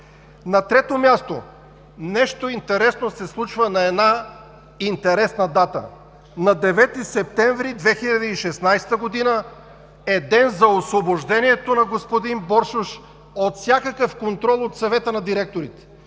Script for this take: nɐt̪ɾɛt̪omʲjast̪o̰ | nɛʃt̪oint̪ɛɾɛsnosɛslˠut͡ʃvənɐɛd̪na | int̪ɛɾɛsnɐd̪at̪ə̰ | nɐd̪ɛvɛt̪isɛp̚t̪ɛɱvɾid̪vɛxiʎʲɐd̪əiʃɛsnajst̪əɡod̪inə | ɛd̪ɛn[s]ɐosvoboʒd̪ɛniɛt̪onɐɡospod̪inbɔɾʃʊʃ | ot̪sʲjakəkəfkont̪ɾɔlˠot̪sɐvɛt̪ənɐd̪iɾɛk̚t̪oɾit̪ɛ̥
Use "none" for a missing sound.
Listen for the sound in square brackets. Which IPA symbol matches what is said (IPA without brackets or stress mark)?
z